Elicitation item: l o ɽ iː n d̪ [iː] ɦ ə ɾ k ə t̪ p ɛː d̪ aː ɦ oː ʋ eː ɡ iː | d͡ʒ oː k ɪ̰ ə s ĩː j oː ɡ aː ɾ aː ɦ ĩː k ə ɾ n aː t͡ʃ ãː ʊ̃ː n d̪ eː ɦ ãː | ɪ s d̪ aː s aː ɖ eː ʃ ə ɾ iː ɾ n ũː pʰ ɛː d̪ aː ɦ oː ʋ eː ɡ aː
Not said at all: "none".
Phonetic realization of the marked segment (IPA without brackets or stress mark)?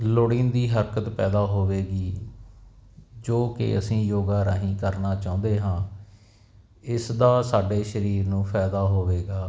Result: iː